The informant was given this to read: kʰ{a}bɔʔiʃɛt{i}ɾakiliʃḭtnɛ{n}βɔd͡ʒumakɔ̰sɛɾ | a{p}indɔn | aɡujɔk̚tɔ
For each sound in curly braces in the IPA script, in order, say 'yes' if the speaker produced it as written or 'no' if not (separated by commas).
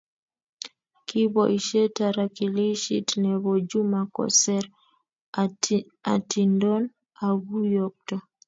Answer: no, no, no, no